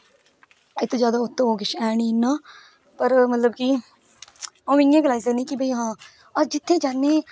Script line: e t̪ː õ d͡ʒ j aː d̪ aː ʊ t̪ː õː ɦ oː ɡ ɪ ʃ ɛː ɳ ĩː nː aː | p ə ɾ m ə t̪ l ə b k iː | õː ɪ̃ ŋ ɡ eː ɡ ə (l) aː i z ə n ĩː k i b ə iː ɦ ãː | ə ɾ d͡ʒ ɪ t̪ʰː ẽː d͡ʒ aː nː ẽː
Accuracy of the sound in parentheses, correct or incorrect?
correct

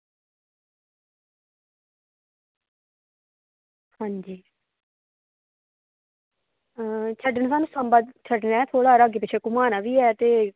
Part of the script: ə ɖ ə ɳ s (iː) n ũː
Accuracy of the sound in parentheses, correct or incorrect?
incorrect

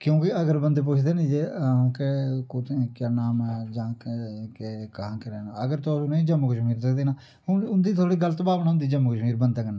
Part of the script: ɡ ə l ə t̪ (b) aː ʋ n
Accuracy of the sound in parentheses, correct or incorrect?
correct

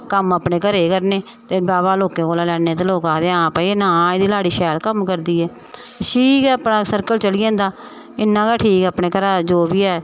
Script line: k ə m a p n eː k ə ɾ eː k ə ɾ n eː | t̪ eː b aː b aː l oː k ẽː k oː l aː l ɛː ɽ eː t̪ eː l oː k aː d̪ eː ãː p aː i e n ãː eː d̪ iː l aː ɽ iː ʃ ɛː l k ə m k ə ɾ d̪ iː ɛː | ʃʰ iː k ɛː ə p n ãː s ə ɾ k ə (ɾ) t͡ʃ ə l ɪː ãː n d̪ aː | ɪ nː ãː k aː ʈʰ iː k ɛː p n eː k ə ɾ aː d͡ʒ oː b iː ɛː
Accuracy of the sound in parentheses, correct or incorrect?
incorrect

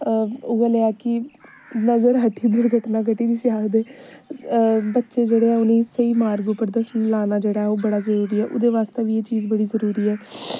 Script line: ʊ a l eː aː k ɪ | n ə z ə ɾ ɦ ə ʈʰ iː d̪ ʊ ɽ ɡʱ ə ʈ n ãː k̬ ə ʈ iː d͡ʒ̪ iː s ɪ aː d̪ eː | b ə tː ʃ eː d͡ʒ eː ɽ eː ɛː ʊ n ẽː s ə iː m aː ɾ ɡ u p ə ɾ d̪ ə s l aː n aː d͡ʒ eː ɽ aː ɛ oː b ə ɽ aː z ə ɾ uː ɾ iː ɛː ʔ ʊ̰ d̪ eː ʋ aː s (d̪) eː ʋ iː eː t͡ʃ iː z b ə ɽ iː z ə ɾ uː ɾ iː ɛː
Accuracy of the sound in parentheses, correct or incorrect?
incorrect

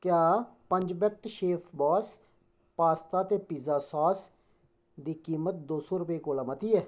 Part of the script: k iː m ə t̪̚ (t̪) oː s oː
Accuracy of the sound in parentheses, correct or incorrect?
incorrect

